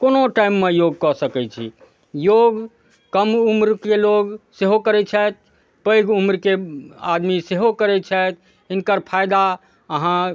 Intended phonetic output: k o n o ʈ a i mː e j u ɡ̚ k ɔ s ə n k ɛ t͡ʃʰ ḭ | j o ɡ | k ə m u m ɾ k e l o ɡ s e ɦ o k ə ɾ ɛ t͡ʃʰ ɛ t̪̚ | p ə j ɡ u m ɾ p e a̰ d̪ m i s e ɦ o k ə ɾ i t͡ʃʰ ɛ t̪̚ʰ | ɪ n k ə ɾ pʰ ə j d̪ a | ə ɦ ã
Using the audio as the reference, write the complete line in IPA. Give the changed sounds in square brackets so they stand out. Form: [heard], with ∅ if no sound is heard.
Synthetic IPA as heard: k o n o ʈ a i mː e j [o] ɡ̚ k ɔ s ə [∅] k ɛ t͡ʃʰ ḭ | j o ɡ | k ə m u m ɾ k e l o ɡ s e ɦ o k ə ɾ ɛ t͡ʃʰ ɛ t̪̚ | p ə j ɡ u m ɾ [k] e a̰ d̪ m i s e ɦ o k ə ɾ [ɛ] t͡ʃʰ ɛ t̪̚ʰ | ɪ n k ə ɾ pʰ [a] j d̪ a | ə ɦ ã